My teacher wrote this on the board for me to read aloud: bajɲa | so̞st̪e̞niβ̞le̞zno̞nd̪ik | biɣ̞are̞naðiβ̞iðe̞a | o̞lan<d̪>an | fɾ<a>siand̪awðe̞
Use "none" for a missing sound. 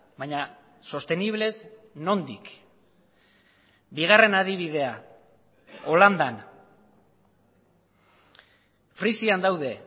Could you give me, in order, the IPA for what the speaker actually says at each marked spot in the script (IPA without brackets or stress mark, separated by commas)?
d̪, i